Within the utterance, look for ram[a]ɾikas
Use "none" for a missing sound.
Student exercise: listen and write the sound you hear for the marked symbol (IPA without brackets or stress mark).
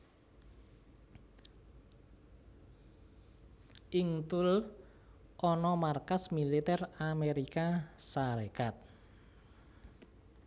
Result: e